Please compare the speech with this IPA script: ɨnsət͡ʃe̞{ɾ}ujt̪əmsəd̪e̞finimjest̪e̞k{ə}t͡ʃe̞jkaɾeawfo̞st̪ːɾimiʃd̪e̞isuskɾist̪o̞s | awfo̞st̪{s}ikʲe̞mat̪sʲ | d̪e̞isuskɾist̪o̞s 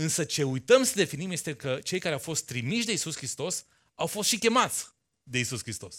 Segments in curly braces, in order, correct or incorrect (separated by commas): incorrect, correct, incorrect